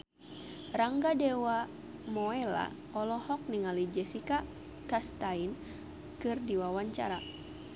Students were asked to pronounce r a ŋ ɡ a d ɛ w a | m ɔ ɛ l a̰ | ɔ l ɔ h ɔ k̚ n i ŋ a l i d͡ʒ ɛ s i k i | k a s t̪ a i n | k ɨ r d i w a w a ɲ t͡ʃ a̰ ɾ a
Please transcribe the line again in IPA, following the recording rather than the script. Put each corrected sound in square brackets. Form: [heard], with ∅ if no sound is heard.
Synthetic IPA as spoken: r a ŋ ɡ a d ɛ w a | m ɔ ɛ l a̰ | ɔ l ɔ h ɔ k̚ n i ŋ a l i d͡ʒ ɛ s i k [a] | k a s t̪ a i n | k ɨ r d i w a w a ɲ t͡ʃ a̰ ɾ a